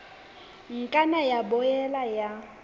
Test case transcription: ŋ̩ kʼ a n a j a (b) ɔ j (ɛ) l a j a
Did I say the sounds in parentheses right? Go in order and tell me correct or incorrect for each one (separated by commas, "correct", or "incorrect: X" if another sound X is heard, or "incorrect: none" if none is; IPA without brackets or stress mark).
correct, correct